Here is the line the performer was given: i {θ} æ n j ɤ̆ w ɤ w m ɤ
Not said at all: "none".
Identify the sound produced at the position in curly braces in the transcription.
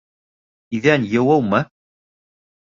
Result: ð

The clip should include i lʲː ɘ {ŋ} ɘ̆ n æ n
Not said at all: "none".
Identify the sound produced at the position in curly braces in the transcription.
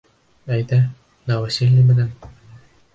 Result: m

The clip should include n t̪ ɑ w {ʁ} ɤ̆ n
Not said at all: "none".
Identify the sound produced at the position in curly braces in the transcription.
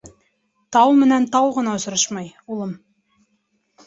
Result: ʁ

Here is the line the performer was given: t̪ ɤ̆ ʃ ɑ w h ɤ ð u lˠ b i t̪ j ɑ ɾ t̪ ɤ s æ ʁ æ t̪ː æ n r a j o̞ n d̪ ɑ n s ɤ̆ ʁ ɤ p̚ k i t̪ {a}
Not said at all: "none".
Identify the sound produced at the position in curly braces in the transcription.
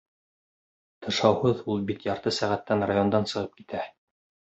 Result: æ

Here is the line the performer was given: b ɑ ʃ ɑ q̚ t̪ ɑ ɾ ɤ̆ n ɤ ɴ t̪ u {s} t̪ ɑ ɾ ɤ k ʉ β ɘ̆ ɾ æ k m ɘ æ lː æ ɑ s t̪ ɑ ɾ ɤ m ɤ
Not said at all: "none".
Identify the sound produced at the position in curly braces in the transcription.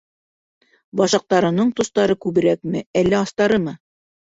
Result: s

